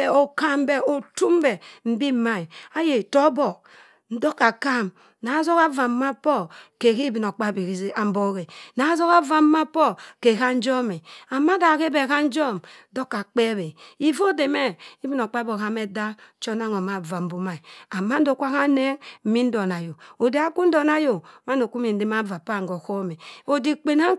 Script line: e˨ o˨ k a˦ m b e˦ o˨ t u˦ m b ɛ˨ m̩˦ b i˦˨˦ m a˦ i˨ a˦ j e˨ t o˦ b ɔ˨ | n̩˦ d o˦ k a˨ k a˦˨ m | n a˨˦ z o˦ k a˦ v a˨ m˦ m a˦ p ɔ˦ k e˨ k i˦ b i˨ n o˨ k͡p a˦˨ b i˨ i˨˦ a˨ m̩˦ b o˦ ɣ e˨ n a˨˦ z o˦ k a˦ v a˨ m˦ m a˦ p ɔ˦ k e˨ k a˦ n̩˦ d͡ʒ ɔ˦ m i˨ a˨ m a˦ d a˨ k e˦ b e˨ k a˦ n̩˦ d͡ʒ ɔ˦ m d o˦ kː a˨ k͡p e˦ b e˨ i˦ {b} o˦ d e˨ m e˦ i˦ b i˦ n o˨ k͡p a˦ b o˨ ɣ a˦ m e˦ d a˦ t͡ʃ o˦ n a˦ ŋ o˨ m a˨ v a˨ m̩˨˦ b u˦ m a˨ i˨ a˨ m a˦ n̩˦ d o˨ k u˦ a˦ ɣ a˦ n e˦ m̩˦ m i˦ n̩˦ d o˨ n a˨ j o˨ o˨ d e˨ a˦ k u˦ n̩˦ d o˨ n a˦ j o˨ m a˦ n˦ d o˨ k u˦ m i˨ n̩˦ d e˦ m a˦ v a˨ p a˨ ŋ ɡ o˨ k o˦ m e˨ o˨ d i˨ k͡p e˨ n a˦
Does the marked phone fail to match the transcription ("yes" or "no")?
yes